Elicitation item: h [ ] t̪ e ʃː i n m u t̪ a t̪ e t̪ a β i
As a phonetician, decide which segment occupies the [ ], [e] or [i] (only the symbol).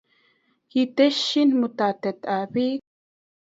i